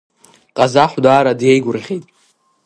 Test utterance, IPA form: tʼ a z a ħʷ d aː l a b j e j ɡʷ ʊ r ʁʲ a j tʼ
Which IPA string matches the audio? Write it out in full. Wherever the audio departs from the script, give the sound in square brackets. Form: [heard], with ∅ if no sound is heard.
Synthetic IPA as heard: [qʼ] a z a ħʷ d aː [ɾ] a [d] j e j ɡʷ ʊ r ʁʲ [e] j tʼ